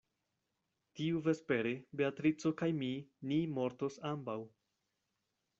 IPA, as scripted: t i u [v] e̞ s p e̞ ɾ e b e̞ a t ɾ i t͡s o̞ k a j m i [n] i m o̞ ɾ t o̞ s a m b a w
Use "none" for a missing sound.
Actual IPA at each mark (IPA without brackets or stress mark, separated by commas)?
v, n